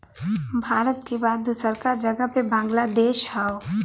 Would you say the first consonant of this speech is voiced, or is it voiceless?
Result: voiced